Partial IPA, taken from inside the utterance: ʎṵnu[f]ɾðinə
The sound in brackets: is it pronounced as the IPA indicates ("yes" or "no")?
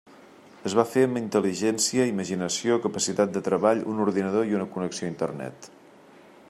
no